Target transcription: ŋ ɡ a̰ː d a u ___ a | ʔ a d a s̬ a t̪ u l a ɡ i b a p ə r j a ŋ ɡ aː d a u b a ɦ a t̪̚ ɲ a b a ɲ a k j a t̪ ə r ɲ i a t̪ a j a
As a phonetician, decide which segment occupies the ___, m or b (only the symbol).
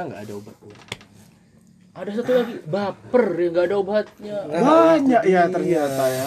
b